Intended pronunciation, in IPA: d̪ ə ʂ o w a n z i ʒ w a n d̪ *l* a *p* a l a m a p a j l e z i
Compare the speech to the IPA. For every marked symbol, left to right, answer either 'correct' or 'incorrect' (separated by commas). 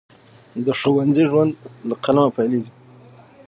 correct, incorrect